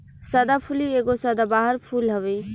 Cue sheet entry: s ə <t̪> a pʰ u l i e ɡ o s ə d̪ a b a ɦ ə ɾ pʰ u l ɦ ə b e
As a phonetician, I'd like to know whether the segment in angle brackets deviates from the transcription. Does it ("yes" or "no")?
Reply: yes